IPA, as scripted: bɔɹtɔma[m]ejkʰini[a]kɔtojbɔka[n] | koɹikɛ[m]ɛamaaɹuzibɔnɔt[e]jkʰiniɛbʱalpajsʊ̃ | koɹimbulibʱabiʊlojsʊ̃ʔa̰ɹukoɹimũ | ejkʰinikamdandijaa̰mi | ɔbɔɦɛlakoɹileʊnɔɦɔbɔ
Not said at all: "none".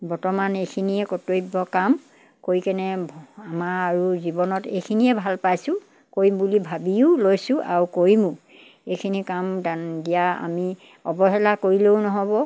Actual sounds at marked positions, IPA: n, ɛ, m, n, e

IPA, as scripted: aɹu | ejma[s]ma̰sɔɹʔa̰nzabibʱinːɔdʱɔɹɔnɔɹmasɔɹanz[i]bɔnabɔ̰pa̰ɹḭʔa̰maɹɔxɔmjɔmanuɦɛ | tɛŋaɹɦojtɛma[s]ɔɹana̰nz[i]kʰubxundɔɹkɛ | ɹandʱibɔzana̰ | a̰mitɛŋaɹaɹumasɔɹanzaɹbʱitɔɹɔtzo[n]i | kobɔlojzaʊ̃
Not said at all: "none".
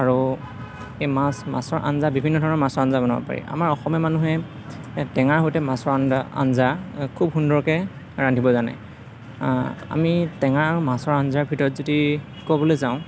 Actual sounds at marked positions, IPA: s, a, s, a, d

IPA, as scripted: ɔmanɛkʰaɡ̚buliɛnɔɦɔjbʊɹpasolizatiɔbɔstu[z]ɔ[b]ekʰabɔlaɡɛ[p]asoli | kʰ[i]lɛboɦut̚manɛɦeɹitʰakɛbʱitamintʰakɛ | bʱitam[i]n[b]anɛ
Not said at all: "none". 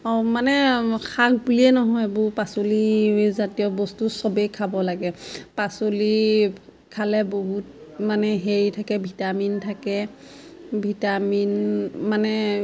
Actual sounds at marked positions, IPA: s, b, p, a, i, m

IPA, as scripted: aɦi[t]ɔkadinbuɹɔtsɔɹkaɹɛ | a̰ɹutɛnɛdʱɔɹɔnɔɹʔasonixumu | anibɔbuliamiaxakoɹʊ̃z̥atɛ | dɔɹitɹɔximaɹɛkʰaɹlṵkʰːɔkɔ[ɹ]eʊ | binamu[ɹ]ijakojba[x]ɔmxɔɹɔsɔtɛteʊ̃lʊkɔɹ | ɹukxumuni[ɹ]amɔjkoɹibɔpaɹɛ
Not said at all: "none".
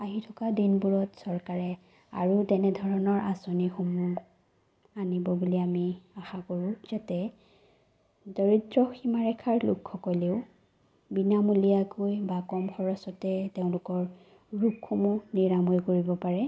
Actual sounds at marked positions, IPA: tʰ, l, l, k, ɹ

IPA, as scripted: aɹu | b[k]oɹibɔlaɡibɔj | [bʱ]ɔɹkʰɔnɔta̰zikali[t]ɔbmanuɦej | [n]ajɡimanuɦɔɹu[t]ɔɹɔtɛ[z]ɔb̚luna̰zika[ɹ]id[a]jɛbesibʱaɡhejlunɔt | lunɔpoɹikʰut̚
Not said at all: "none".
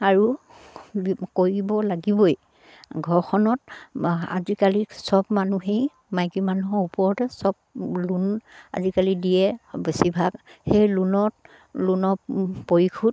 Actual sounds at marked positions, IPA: k, ɡʱ, s, m, p, s, l, i

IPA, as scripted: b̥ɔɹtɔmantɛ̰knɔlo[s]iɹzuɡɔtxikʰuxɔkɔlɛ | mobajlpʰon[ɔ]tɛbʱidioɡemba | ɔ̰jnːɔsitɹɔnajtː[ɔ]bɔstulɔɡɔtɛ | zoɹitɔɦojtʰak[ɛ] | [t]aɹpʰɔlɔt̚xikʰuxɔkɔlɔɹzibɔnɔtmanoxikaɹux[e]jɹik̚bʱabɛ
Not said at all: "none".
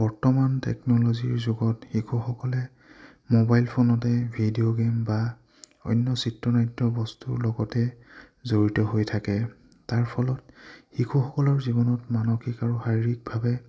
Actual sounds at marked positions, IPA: z, ɔ, ɔ, ɛ, t, a

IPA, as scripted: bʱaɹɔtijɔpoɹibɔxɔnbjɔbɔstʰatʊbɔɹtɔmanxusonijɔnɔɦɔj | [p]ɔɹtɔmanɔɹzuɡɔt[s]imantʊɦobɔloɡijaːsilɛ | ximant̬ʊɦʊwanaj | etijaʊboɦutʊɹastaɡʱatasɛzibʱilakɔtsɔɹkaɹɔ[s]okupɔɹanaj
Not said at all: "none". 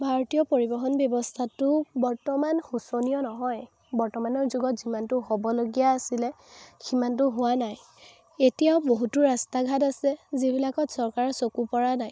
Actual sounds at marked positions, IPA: b, z, s

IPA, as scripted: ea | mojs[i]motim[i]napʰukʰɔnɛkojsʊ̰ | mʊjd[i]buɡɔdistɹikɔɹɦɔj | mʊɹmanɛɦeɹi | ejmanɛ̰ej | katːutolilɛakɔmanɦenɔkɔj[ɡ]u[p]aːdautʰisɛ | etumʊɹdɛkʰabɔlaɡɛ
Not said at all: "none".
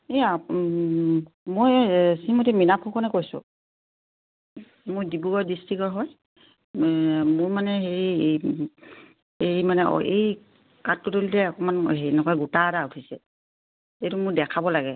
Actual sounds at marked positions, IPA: i, i, i, ɡ, t

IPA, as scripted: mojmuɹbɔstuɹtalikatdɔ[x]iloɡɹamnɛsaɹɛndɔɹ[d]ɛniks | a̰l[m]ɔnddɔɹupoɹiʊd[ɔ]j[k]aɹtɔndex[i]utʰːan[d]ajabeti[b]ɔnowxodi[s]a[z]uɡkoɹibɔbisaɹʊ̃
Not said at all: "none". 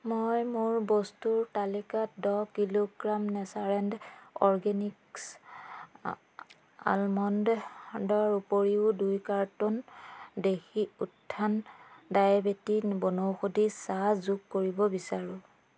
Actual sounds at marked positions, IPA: k, ɡ, m, u, k, i, d, b, s, z

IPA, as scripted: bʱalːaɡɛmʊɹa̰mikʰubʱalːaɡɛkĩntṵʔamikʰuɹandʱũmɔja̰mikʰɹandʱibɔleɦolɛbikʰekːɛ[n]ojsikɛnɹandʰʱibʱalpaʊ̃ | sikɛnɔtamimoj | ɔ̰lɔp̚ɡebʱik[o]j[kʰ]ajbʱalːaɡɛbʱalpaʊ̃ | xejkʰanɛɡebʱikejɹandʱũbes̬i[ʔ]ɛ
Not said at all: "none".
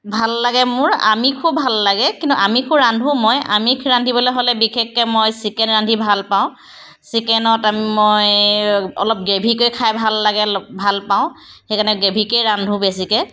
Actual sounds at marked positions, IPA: m, o, kʰ, k

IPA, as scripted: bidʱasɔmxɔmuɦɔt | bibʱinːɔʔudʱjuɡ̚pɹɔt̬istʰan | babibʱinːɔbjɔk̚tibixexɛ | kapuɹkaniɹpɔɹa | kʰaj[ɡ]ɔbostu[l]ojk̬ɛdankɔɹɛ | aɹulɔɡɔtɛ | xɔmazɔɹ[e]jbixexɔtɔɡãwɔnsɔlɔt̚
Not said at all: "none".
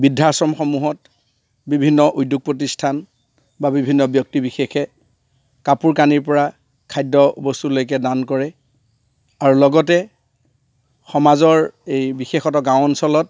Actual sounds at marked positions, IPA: d, l, e

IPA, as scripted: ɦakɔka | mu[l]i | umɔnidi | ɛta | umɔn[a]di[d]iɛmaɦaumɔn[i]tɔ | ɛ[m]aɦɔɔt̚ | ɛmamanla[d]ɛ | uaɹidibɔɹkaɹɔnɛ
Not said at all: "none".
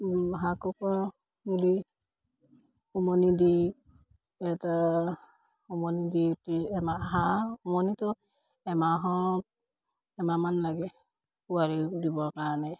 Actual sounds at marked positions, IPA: l, i, t, i, m, ɡ

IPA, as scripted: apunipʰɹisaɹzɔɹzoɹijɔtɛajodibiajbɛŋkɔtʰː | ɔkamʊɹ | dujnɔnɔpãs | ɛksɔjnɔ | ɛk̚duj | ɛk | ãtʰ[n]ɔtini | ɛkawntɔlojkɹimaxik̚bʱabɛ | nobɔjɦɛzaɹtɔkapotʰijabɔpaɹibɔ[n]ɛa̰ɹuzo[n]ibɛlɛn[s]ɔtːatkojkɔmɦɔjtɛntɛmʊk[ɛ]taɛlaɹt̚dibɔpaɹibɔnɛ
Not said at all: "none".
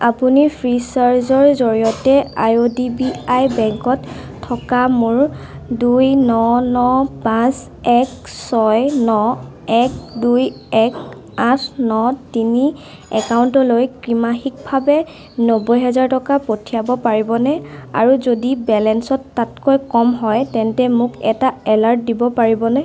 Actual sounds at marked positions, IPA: n, n, d, s, ɛ

